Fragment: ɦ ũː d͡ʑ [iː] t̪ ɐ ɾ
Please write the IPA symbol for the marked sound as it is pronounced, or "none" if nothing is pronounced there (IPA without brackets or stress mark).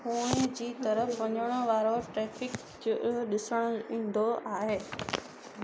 iː